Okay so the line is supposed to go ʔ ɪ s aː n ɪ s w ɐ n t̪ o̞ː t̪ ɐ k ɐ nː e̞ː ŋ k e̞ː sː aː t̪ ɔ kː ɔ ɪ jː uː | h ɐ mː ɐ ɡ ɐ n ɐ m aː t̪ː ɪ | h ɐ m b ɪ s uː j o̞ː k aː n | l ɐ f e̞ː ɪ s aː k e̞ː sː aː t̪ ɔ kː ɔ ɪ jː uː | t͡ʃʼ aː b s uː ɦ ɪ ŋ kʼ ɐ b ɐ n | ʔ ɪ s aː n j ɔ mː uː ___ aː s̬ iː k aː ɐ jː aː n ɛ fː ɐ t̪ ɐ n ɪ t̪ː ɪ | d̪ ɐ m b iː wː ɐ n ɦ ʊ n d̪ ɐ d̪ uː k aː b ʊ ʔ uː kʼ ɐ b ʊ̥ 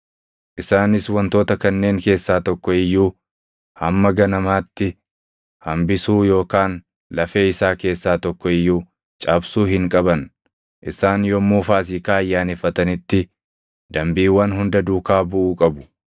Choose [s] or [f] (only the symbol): f